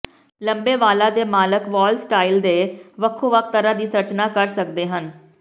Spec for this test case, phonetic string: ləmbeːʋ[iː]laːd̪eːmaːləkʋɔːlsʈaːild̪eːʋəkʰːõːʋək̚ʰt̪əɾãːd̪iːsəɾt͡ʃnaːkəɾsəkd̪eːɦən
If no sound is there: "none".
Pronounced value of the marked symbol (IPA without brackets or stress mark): aː